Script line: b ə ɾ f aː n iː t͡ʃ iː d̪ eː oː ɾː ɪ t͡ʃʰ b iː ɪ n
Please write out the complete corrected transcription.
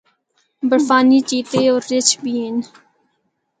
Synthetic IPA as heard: b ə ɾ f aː n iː t͡ʃ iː t̪ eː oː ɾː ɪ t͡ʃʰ b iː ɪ n